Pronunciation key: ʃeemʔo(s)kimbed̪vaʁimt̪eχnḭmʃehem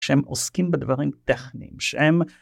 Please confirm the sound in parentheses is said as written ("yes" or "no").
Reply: yes